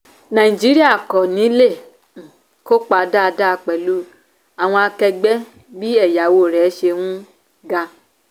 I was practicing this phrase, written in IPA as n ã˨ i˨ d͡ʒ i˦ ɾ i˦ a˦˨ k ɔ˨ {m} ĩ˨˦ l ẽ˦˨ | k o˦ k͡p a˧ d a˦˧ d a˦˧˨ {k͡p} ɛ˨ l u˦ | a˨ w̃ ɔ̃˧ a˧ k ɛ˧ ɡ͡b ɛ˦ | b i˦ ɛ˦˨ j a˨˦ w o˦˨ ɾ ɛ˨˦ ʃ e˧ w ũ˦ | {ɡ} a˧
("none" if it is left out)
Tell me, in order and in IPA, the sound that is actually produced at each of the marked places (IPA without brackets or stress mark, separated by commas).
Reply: n, k͡p, ɡ